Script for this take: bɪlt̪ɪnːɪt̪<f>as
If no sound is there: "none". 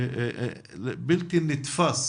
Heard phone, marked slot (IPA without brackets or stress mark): f